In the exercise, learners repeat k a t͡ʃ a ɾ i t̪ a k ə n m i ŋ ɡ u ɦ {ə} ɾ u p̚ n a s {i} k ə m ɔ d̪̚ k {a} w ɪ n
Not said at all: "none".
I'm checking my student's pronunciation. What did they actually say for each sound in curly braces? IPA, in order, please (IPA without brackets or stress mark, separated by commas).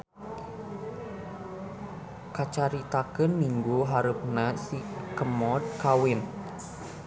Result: a, i, a